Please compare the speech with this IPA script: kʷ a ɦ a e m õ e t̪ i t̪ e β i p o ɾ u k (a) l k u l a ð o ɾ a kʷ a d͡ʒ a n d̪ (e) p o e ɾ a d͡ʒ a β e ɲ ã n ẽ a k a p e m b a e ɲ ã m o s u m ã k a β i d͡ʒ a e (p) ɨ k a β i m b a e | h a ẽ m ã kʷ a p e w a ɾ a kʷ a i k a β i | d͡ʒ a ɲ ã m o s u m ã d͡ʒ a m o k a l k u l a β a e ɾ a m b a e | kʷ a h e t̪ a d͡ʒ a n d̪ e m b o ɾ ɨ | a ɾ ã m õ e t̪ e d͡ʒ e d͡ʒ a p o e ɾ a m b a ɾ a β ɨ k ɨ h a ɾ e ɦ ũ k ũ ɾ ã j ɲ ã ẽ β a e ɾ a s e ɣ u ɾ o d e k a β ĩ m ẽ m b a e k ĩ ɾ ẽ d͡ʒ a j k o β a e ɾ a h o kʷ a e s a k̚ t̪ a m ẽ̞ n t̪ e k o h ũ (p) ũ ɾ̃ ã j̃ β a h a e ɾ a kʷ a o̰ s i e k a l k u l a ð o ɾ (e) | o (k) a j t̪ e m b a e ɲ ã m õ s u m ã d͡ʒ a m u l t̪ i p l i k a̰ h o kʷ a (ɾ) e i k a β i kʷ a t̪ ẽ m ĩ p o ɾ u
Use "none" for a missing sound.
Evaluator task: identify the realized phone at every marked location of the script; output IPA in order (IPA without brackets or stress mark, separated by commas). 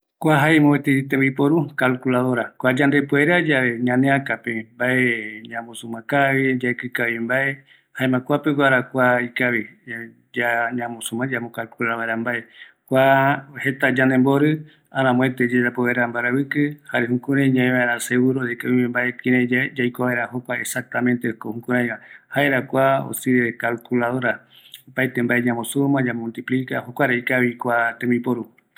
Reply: a, e, k, k, a, p, ɾ